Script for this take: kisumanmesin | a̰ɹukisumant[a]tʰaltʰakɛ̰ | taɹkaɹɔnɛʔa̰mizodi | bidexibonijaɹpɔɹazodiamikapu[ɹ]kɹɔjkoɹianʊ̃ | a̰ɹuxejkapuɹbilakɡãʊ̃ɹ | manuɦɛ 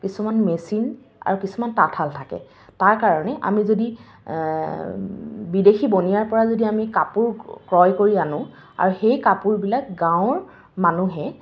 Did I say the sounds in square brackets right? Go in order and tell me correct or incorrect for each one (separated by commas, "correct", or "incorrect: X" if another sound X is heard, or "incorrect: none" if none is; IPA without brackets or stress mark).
correct, correct